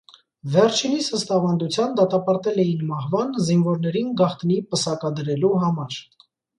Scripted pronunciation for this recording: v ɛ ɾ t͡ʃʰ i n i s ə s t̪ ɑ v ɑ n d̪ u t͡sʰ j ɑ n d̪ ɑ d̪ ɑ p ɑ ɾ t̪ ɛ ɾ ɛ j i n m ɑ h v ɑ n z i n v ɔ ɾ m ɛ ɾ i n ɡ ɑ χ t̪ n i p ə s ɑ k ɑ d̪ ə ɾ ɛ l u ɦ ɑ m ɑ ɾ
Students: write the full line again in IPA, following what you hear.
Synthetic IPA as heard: v ɛ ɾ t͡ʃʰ i n i s ə s t̪ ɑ v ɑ n d̪ u t͡sʰ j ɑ n d̪ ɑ t̪ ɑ p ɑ ɾ t̪ ɛ l ɛ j i n m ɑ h v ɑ n z i n v ɔ ɾ n ɛ ɾ i n ɡ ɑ χ t̪ n i p ə s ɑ k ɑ d̪ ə ɾ ɛ l u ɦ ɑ m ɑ ɾ